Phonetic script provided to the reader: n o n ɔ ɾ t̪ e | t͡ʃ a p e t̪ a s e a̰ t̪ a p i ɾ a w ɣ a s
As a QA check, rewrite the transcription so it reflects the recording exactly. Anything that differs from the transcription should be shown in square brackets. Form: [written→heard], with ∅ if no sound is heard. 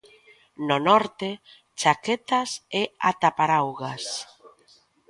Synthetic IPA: n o n ɔ ɾ t̪ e | t͡ʃ a [p→k] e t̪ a s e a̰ t̪ a p [i→a] ɾ a w ɣ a s